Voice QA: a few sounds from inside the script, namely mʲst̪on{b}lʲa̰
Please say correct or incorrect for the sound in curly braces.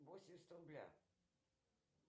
correct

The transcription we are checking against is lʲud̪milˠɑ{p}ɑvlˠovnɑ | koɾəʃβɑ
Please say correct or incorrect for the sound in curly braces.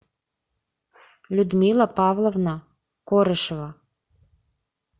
correct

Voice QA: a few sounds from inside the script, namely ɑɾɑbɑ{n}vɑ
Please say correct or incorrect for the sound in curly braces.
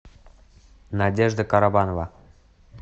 correct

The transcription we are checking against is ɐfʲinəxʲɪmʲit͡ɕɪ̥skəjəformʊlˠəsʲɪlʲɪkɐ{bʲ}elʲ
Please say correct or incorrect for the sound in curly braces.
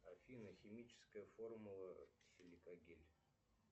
incorrect: ɡʲ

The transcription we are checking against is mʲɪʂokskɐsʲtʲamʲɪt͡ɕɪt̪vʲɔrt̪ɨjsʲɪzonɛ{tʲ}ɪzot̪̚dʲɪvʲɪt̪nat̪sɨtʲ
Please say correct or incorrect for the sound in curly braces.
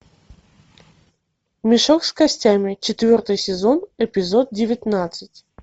incorrect: pʲ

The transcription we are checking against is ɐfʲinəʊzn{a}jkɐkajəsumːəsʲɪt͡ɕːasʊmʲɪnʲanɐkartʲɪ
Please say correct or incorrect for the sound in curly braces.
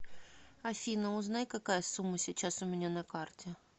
correct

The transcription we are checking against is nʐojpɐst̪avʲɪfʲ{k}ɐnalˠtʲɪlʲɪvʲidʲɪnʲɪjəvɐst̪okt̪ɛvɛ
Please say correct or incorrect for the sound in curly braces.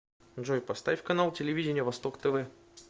correct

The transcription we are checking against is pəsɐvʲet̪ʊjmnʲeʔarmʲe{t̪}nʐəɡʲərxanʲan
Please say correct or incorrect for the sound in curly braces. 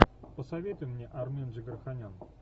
incorrect: none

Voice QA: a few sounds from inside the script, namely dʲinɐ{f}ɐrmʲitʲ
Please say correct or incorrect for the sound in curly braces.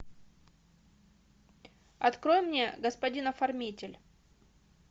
correct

